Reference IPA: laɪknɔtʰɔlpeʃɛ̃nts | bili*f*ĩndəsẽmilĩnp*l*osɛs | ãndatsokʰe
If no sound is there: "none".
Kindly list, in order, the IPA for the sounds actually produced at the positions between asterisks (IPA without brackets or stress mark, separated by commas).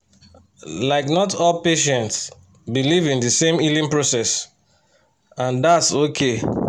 v, ɹ